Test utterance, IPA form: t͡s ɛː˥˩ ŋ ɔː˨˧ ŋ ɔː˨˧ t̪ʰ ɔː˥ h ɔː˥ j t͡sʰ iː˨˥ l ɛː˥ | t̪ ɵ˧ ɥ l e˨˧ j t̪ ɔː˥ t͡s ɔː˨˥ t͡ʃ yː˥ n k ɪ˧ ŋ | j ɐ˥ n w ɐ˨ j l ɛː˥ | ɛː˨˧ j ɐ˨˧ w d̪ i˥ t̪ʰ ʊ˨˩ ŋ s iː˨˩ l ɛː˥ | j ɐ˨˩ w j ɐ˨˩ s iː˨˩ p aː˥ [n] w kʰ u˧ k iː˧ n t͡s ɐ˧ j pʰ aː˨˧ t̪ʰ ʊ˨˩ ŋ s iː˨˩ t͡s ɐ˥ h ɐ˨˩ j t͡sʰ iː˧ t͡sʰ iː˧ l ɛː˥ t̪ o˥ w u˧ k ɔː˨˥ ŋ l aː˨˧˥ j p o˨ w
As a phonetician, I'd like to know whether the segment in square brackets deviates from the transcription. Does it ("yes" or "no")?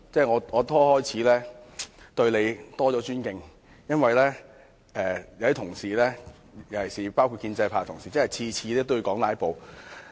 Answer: yes